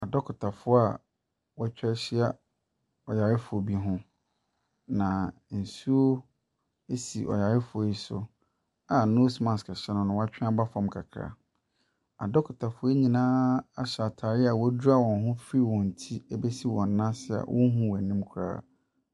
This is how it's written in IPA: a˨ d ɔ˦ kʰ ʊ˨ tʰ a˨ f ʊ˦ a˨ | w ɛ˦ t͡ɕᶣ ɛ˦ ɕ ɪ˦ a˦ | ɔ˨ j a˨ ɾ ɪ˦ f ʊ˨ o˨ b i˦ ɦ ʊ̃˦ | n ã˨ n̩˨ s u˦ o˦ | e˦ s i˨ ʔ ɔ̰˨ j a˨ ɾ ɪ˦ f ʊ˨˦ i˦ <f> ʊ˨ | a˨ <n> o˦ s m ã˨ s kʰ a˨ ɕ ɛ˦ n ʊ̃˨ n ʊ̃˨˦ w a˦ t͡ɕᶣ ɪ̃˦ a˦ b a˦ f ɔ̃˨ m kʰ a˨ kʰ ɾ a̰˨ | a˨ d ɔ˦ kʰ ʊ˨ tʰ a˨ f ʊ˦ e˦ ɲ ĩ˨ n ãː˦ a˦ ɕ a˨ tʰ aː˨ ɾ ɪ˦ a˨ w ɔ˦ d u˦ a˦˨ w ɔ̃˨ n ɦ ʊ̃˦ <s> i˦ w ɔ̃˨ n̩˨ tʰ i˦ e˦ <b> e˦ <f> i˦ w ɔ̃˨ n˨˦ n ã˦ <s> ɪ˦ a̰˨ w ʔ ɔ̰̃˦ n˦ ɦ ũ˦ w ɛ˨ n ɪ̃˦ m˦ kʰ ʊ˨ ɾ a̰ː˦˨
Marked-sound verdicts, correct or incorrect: incorrect: s, correct, incorrect: f, correct, incorrect: s, correct

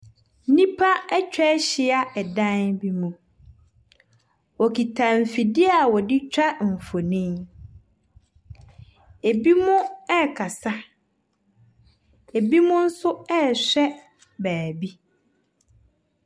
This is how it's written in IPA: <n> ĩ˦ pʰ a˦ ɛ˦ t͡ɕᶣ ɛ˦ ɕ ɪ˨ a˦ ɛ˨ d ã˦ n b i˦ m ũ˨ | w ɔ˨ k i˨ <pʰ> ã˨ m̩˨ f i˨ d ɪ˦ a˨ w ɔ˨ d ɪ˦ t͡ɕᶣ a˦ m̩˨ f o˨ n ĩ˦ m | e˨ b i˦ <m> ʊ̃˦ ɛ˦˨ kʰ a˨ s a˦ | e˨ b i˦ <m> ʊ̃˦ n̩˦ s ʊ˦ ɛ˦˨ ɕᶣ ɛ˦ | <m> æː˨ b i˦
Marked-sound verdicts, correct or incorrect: correct, incorrect: tʰ, correct, correct, incorrect: b

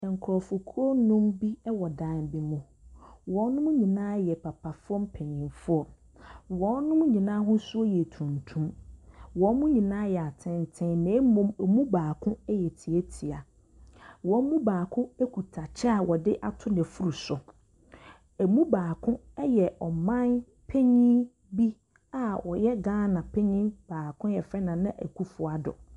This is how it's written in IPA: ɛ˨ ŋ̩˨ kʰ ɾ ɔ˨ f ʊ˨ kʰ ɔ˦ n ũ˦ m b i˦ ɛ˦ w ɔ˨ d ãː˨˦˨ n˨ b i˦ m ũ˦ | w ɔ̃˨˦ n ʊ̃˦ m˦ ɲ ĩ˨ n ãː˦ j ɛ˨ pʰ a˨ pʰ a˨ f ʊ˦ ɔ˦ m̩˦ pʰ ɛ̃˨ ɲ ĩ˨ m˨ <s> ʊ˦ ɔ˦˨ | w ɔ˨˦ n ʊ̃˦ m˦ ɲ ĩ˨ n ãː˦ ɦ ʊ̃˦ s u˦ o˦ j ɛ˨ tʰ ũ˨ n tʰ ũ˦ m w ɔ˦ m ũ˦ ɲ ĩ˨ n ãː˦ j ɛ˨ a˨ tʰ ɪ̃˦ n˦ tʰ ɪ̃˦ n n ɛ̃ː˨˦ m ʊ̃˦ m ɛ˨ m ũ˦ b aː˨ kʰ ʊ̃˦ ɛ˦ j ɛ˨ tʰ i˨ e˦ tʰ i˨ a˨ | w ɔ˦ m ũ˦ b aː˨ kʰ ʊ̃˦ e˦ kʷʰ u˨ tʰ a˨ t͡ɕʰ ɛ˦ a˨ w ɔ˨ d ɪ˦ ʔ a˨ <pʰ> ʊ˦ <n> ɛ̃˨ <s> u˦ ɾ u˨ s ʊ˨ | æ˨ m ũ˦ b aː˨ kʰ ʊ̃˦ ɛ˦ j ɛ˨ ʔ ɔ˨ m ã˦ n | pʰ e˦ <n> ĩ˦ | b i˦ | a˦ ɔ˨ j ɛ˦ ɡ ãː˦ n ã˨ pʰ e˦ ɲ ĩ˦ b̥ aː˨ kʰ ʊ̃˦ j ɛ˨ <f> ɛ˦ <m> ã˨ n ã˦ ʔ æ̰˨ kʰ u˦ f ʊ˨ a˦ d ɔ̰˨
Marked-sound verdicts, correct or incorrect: incorrect: f, incorrect: tʰ, correct, incorrect: f, incorrect: ɲ, correct, incorrect: n

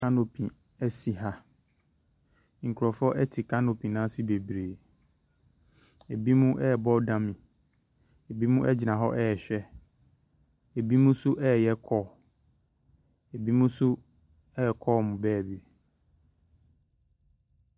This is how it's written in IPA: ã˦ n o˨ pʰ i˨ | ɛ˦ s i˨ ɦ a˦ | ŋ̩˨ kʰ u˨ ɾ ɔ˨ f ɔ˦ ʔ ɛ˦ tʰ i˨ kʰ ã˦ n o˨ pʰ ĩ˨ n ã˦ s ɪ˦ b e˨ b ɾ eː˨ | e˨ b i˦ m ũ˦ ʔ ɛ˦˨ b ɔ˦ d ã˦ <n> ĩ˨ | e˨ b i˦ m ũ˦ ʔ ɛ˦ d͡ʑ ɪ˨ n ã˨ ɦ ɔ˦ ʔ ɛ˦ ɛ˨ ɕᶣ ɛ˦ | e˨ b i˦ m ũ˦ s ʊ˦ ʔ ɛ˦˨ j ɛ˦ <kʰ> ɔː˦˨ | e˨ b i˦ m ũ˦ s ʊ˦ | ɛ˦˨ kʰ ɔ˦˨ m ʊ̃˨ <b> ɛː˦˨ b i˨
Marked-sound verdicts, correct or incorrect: incorrect: m, correct, correct

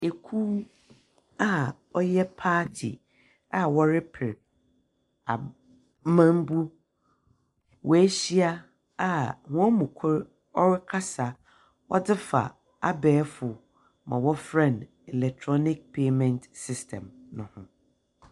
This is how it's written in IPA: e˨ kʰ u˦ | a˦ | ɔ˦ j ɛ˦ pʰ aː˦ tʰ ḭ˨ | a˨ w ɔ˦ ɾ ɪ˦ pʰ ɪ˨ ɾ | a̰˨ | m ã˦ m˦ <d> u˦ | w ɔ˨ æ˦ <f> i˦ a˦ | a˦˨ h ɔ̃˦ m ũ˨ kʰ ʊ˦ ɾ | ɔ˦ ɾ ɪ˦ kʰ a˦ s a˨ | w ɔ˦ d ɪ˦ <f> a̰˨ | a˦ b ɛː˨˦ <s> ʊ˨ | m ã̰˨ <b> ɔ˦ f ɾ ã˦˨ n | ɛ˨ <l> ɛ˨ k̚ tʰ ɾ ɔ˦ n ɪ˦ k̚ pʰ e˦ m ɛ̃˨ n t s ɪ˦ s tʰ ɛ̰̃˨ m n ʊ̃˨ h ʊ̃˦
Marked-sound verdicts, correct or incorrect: incorrect: b, incorrect: ɕ, correct, incorrect: f, incorrect: w, correct

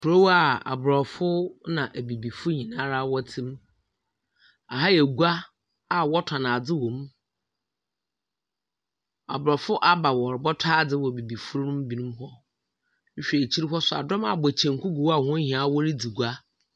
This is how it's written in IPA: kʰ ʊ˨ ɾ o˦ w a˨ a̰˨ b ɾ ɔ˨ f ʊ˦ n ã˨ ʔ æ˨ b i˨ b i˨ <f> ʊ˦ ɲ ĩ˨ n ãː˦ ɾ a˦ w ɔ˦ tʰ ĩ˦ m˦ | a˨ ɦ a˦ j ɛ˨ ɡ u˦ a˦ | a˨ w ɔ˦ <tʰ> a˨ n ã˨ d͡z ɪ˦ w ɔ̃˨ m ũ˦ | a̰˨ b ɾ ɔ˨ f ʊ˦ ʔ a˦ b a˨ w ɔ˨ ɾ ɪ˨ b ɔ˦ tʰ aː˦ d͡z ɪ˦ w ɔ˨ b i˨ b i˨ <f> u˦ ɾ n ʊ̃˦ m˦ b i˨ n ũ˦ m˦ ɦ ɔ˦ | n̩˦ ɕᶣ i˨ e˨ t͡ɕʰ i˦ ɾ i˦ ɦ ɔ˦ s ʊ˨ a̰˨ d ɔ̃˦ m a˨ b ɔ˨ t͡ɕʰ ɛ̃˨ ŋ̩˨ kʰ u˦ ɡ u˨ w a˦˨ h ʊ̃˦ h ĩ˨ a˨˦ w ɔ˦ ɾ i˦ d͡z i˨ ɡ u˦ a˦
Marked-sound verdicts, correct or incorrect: correct, correct, correct

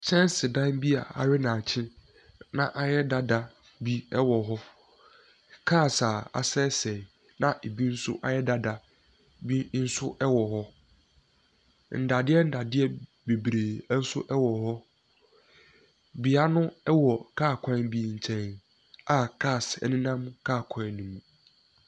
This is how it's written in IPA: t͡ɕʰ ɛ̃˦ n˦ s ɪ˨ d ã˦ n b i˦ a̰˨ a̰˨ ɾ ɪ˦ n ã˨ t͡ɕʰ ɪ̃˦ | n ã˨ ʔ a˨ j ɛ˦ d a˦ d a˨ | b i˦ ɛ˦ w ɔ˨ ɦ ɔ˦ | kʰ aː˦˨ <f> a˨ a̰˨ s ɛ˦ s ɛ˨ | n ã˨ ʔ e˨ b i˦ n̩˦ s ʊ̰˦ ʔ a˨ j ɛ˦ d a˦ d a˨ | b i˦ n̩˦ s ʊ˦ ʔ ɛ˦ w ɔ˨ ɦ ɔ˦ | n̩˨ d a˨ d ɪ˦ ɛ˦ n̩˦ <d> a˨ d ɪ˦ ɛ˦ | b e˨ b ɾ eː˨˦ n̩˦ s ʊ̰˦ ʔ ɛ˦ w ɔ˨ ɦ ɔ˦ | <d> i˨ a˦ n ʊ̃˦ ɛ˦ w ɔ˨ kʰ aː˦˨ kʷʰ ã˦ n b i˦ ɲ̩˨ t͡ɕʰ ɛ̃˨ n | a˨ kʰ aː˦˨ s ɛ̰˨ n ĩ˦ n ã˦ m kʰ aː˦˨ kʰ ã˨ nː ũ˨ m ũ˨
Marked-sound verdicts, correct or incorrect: incorrect: s, correct, incorrect: b

